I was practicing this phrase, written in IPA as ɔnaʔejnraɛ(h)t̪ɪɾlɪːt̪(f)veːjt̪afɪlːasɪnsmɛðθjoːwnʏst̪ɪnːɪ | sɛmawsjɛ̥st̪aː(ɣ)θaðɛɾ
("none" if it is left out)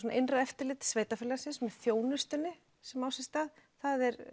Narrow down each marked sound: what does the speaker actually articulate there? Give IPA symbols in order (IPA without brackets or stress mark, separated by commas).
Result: f, s, ð